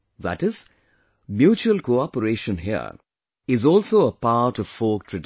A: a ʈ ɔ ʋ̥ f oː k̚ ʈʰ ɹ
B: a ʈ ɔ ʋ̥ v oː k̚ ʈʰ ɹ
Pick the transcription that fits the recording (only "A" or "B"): A